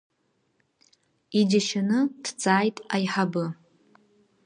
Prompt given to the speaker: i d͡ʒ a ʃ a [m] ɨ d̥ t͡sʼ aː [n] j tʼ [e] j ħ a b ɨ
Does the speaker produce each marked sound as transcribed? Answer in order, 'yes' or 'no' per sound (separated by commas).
no, no, no